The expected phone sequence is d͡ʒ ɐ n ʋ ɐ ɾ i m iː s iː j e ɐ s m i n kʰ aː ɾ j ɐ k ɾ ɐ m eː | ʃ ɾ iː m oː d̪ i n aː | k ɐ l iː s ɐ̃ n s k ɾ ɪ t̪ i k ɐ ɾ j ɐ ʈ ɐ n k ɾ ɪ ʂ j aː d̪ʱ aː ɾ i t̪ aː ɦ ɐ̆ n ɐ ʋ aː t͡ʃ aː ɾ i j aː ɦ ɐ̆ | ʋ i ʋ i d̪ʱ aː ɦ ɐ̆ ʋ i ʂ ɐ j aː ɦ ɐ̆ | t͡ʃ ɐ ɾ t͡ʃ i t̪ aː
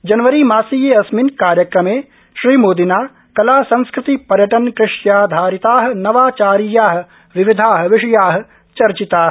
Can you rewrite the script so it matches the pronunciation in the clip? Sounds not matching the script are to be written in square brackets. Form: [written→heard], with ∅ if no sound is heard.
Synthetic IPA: d͡ʒ ɐ n ʋ ɐ ɾ i m [iː→aː] s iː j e ɐ s m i n [kʰ→k] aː ɾ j ɐ k ɾ ɐ m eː | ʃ ɾ iː m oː d̪ i n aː | k ɐ l [iː→aː] s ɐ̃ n s k ɾ ɪ t̪ i [k→p] ɐ ɾ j ɐ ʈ ɐ n k ɾ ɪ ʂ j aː d̪ʱ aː ɾ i t̪ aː ɦ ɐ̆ n ɐ ʋ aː t͡ʃ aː ɾ i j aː ɦ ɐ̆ | ʋ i ʋ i d̪ʱ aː ɦ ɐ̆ ʋ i ʂ ɐ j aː ɦ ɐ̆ | t͡ʃ ɐ ɾ t͡ʃ i t̪ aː